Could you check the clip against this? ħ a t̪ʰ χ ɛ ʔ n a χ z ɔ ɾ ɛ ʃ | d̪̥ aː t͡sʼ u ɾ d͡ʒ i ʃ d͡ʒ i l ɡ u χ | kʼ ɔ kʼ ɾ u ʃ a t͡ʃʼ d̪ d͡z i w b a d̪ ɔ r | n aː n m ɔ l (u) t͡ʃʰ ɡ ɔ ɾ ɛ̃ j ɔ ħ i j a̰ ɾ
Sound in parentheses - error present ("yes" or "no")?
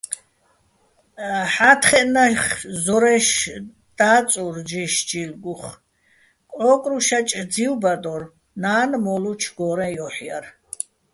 no